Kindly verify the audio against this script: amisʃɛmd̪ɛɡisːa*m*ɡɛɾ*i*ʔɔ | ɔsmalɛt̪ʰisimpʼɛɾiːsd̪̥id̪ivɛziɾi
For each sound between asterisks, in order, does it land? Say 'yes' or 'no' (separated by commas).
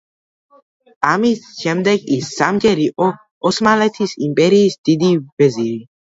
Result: yes, yes